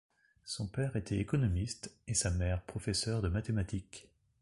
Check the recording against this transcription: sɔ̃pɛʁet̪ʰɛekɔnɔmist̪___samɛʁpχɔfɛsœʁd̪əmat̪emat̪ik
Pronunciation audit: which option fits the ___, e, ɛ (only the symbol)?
e